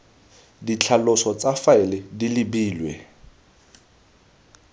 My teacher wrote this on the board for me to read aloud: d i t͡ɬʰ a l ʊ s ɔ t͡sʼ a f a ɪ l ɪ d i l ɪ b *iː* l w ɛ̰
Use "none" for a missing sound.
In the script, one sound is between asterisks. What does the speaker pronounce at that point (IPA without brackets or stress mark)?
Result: iː